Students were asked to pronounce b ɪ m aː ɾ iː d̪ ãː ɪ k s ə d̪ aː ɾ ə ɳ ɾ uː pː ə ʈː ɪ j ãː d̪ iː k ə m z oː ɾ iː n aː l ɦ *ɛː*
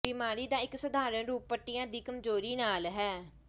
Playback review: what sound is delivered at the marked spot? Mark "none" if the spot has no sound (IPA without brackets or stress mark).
ɛː